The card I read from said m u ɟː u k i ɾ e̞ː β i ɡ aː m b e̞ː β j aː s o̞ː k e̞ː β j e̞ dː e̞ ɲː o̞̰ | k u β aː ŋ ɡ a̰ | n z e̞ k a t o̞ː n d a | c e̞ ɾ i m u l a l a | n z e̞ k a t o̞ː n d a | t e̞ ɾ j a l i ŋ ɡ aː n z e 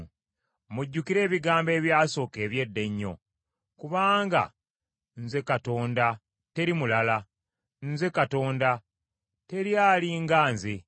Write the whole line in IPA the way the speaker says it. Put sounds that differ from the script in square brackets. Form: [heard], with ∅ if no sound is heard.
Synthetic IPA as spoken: m u ɟː u k i ɾ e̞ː β i ɡ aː m b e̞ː β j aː s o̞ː k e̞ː β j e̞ dː e̞ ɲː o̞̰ | k u β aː ŋ ɡ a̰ | n z e̞ k a t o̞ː n d a | [t] e̞ ɾ i m u l a l a | n z e̞ k a t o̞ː n d a | t e̞ ɾ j a l i ŋ ɡ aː n z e

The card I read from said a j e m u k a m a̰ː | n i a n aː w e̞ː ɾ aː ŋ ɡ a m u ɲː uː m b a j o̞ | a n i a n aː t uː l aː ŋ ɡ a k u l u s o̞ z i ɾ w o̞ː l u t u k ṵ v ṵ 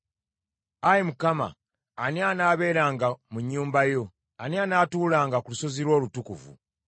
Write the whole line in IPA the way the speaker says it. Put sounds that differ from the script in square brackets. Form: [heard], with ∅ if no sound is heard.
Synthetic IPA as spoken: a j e m u k a m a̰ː | n i a n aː [β] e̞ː ɾ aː ŋ ɡ a m u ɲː uː m b a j o̞ | a n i a n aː t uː l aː ŋ ɡ a k u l u s o̞ z i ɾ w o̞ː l u t u k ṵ v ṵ

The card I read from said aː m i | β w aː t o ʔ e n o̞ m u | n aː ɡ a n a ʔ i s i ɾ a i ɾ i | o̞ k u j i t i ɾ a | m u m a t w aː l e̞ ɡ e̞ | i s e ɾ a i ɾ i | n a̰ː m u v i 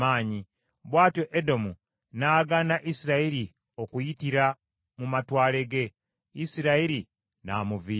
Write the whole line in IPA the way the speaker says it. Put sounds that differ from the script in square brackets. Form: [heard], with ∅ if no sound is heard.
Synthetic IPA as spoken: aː [ɲ] i | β w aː t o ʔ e [d] o̞ m u | n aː ɡ a n a ʔ i s i ɾ a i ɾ i | o̞ k u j i t i ɾ a | m u m a t w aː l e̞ ɡ e̞ | i s [i] ɾ a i ɾ i | n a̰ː m u v i

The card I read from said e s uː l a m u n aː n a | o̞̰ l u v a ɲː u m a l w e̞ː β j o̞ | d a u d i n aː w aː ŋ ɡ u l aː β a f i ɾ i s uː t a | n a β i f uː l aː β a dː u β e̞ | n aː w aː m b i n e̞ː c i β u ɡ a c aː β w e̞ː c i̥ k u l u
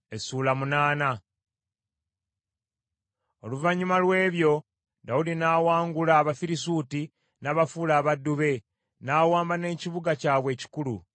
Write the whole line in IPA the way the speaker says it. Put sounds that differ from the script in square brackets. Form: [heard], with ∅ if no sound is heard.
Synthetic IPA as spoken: e s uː l a m u n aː n a | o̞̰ l u v a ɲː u m a l w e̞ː β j o̞ | d a u d i n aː w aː ŋ ɡ u l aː β a f i ɾ i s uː t [i] | n a β [a] f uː l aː β a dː u β e̞ | n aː w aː m b [a] n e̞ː c i β u ɡ a c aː β w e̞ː c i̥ k u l u

